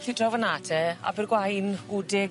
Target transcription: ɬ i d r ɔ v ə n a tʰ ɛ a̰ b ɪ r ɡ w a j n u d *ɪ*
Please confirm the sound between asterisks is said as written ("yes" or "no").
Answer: yes